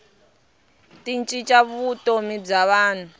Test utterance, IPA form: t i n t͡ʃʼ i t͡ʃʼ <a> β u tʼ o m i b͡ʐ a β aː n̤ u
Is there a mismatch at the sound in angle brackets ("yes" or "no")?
no